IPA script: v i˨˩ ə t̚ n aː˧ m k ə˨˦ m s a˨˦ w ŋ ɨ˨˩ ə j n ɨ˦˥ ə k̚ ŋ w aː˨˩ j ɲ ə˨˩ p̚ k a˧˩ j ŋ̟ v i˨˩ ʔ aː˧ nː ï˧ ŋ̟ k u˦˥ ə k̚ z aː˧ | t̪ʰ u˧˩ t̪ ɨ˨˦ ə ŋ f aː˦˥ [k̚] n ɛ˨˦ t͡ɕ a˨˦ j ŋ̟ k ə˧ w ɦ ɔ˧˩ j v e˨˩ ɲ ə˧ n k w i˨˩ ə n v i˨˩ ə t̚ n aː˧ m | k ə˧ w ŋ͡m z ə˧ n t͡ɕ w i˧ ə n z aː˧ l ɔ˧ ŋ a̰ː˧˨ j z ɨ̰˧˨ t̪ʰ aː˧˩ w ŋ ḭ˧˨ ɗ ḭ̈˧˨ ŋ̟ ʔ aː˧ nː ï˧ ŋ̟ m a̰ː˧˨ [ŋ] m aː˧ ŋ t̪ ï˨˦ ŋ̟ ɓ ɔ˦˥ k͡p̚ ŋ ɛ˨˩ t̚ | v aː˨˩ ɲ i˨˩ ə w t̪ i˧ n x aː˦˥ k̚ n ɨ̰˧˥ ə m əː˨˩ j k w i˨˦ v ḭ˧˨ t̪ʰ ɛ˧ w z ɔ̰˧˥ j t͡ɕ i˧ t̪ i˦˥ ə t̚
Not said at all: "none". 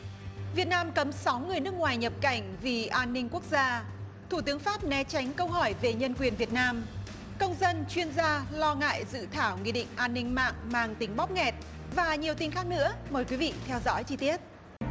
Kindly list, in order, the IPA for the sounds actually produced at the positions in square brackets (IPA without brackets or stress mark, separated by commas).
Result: p̚, ŋ